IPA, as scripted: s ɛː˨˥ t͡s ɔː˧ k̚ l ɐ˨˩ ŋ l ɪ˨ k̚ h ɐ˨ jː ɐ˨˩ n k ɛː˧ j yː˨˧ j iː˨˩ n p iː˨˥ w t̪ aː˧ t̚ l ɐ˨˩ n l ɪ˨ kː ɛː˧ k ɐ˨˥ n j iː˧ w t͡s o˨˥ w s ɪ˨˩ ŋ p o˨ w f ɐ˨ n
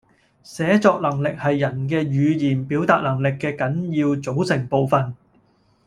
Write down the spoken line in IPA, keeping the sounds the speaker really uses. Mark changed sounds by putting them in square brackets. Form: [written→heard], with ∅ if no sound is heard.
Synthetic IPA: s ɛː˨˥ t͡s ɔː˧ k̚ l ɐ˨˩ ŋ l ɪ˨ k̚ h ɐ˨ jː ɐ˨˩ n k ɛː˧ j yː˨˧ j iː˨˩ n p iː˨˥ w t̪ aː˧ t̚ l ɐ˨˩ [n→ŋ] l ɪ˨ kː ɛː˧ k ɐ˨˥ n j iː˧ w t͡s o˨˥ w s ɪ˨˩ ŋ p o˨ w f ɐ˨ n